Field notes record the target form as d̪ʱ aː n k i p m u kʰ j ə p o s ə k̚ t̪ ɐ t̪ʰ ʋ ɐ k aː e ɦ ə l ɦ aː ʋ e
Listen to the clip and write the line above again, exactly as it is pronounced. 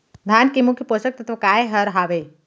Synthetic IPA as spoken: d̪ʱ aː n k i m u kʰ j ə p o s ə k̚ t̪ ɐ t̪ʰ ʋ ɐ k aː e ɦ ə ɾ ɦ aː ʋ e